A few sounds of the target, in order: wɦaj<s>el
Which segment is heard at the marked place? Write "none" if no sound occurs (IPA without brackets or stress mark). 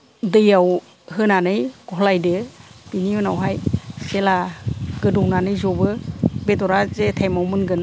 s